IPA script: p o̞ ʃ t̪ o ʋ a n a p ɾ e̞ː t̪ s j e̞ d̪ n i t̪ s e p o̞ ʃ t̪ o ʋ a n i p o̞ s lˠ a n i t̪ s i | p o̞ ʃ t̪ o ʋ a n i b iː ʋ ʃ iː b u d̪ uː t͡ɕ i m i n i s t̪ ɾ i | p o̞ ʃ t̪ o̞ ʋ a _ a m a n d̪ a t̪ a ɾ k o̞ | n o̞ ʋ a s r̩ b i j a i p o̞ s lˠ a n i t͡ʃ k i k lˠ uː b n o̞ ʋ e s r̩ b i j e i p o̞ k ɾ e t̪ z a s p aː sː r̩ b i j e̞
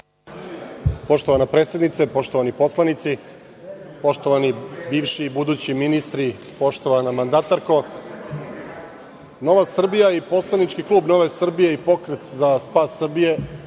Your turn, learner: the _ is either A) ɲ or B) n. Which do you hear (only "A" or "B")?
B